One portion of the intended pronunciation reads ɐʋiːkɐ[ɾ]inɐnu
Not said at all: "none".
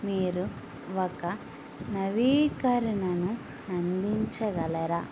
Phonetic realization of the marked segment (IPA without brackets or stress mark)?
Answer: ɾ